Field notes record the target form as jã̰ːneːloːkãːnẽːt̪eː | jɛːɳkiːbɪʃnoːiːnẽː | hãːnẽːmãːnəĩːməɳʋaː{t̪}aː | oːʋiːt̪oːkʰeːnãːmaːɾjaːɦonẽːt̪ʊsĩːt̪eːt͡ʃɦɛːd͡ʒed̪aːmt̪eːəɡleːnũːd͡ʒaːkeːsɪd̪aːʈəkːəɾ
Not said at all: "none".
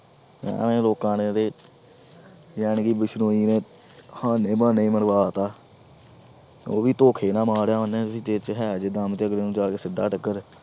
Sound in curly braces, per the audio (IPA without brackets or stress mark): t̪